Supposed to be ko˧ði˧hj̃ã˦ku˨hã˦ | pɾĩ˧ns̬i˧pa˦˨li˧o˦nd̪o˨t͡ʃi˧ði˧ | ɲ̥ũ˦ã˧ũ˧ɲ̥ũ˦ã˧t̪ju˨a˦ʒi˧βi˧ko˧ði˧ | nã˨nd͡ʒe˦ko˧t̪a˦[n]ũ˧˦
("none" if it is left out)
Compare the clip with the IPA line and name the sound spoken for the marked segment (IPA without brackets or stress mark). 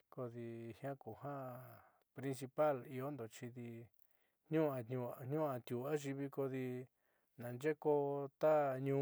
ɲ